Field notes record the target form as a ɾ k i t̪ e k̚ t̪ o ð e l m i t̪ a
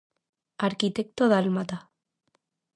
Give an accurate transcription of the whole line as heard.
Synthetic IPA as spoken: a ɾ k i t̪ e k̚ t̪ o ð a l m a t̪ a